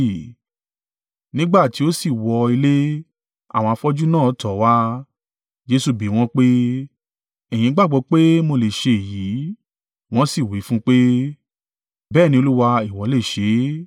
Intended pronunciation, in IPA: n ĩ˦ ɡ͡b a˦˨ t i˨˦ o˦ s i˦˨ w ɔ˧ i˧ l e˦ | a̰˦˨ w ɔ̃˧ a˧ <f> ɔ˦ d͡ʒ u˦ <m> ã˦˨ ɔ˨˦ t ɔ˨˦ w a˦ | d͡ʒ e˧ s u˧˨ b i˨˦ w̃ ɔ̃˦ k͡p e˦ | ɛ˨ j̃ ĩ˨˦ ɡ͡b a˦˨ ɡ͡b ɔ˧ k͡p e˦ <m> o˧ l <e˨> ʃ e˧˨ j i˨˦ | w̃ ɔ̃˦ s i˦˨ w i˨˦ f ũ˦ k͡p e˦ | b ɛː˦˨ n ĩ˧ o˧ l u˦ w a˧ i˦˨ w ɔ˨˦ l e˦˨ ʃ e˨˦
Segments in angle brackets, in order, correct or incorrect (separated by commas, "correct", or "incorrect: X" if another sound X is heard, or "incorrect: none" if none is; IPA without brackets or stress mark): correct, incorrect: n, correct, correct